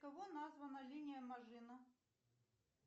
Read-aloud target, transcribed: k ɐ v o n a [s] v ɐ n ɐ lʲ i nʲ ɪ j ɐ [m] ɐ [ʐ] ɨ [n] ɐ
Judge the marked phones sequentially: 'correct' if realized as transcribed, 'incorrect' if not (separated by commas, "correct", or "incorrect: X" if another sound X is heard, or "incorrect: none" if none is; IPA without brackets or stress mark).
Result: incorrect: z, correct, correct, correct